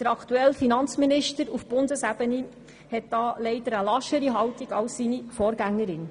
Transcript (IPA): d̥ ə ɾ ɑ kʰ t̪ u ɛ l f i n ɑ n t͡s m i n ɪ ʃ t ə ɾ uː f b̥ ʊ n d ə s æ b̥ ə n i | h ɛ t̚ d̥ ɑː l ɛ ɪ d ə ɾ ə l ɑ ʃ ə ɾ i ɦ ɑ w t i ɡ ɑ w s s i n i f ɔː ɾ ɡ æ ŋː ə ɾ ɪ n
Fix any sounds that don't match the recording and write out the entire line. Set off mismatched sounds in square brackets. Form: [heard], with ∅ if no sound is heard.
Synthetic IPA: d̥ ə ɾ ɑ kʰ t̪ u ɛ l f i n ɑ n t͡s m i n ɪ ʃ t ə ɾ [u] f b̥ ʊ n d ə s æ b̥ ə n i | h ɛ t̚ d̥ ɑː l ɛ ɪ d ə ɾ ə l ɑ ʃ ə ɾ i ɦ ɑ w t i ɡ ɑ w s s i n i f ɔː ɾ ɡ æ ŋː ə ɾ ɪ n